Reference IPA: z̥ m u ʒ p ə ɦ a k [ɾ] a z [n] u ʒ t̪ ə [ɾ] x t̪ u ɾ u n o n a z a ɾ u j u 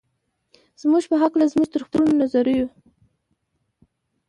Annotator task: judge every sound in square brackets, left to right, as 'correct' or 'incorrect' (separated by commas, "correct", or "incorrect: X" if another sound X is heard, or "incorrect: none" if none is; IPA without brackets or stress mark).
incorrect: l, incorrect: m, correct